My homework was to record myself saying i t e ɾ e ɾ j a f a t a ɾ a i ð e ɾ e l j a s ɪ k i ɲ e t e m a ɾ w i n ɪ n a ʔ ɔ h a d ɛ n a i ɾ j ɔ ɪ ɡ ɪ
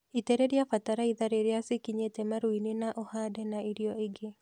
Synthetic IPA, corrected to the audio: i t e ɾ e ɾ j a f a t a ɾ a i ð a ɾ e ɾ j a s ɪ k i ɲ e t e m a ɾ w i n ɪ n a ʔ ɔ h a d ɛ n a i ɾ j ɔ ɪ ɡ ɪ